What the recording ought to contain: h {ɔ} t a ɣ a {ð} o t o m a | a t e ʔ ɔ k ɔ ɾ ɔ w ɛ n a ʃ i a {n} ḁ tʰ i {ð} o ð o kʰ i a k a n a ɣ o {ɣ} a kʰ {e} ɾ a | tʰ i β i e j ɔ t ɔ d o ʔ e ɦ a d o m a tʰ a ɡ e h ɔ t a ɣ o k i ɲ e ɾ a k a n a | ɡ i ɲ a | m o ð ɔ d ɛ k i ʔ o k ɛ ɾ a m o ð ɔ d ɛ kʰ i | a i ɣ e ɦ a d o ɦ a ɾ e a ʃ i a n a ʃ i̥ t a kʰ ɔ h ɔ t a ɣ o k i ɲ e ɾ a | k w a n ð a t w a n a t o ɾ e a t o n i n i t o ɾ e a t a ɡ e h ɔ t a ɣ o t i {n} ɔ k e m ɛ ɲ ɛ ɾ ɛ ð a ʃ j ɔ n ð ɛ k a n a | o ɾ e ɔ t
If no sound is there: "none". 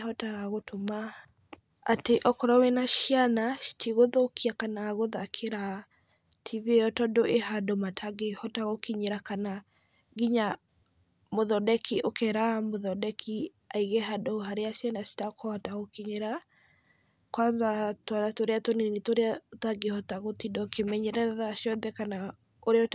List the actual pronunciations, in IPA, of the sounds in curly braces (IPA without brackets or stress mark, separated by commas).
ɔ, ɣ, n, ɣ, ð, e, d